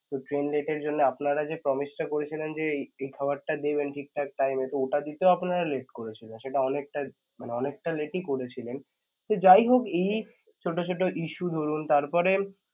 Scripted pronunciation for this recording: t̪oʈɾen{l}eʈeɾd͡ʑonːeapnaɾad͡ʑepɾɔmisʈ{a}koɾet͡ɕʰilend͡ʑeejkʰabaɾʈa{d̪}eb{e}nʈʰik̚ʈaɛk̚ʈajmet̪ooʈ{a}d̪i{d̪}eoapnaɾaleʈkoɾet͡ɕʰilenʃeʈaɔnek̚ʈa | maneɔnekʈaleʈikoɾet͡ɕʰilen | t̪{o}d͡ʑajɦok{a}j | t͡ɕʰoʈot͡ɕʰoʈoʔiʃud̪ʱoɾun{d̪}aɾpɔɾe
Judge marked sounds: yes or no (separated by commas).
yes, yes, yes, yes, yes, no, yes, no, no